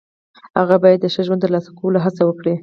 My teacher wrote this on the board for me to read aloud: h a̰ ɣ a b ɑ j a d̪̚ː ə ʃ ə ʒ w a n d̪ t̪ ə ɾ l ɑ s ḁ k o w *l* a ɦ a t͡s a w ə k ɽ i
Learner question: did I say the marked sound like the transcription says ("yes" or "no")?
yes